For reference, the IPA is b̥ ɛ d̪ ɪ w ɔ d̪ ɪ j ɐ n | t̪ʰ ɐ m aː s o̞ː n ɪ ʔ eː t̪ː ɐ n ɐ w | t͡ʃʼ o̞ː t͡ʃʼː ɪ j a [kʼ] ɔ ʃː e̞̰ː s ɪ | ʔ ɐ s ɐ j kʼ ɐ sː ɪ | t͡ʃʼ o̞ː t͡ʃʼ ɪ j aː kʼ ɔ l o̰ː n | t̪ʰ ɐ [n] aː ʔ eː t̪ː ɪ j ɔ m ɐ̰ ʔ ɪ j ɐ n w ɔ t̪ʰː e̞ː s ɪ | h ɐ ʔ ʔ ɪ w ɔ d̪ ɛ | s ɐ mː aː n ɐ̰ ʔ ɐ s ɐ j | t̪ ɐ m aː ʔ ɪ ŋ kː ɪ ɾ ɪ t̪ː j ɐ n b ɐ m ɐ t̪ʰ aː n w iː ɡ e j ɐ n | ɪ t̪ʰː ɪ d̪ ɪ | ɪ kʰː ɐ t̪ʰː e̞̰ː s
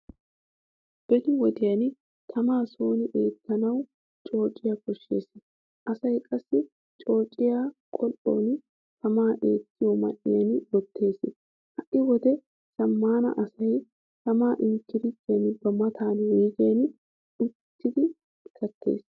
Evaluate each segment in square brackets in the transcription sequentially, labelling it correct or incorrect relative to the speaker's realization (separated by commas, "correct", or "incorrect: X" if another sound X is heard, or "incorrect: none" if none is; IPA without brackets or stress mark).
incorrect: k, incorrect: m